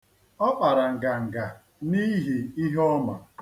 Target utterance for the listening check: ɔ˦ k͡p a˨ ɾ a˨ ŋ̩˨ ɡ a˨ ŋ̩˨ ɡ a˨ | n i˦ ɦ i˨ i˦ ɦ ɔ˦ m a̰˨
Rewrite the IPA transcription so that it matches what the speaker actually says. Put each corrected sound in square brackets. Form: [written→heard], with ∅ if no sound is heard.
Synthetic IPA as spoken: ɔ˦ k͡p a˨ ɾ a˨ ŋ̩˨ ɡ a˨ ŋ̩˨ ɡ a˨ | n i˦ ɦ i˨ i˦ ɦ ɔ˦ m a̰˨